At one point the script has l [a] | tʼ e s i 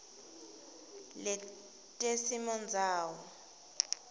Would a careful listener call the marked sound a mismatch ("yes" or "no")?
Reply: yes